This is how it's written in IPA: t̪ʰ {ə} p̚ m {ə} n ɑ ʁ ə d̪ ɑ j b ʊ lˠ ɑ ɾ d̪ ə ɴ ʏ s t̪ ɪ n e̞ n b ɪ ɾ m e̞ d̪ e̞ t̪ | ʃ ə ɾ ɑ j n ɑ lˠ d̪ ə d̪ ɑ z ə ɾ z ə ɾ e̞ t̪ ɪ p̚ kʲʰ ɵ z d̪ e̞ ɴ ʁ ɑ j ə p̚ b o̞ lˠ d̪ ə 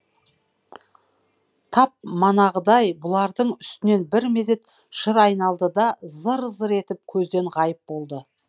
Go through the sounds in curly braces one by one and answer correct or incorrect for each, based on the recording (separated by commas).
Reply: incorrect, incorrect